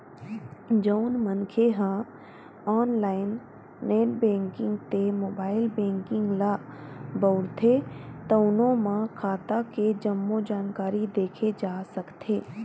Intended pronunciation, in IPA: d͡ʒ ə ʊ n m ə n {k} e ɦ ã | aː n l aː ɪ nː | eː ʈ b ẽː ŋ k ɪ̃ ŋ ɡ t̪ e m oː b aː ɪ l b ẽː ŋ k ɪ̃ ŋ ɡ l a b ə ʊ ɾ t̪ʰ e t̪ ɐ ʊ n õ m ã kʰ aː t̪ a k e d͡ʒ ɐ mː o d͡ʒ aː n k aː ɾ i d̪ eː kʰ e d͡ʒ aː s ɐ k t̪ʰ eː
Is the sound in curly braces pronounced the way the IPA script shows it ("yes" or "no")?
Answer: no